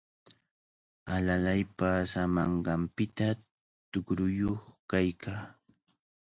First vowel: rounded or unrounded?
unrounded